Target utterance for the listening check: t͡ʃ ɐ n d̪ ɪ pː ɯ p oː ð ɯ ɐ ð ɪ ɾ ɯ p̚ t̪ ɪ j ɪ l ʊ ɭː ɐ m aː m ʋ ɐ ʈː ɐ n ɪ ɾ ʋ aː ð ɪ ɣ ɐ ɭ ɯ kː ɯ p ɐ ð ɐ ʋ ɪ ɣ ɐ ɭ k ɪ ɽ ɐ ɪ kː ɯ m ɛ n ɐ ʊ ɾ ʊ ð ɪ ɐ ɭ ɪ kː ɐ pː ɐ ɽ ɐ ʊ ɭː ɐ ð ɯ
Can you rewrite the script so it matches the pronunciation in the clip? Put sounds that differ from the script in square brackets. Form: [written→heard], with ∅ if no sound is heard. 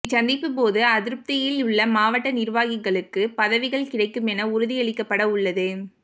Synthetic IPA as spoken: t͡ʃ ɐ n d̪ ɪ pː ɯ p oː ð ɯ ɐ ð ɪ ɾ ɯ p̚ t̪ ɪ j ɪ l ʊ ɭː ɐ m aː [m→∅] ʋ ɐ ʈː ɐ n ɪ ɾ ʋ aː [ð→ɣ] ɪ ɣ ɐ ɭ ɯ kː ɯ p ɐ ð ɐ ʋ ɪ ɣ ɐ ɭ k ɪ ɽ ɐ ɪ kː ɯ m ɛ n ɐ ʊ ɾ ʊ ð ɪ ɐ ɭ ɪ kː ɐ pː ɐ ɽ ɐ ʊ ɭː ɐ ð ɯ

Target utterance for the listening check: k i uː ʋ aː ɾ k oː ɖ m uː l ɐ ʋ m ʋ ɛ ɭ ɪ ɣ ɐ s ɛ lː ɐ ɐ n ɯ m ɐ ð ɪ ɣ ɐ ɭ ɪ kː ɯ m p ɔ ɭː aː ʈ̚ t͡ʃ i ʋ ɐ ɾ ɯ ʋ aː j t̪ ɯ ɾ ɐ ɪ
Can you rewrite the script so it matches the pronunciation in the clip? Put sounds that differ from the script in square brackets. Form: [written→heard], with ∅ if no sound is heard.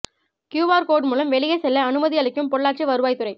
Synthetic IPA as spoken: k [i→j] uː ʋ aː ɾ k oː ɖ m uː l ɐ [ʋ→∅] m ʋ ɛ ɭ ɪ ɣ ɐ s ɛ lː ɐ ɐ n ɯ m ɐ ð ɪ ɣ ɐ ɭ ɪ kː ɯ m p ɔ ɭː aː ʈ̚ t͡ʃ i ʋ ɐ ɾ ɯ ʋ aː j t̪ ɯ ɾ ɐ ɪ

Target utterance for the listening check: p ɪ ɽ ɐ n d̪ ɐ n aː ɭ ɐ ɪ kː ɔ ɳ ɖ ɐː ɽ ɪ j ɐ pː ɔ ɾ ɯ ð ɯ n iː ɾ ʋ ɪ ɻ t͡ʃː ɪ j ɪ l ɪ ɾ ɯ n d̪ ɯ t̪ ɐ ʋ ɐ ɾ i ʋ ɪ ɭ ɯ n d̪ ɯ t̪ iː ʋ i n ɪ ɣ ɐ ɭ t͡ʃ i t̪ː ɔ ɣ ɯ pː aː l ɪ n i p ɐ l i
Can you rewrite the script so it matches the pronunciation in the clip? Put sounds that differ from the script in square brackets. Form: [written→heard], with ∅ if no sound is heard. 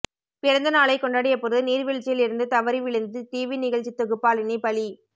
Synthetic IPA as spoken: p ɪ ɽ ɐ n d̪ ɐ n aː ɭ ɐ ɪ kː ɔ ɳ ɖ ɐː ɽ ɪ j ɐ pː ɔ ɾ ɯ ð ɯ n iː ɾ ʋ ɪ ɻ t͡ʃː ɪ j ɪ l ɪ ɾ ɯ n d̪ ɯ t̪ ɐ ʋ ɐ ɾ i ʋ ɪ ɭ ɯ n d̪ ɯ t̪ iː ʋ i n ɪ ɣ ɐ ɭ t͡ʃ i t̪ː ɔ ɣ ɯ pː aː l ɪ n i p ɐ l i

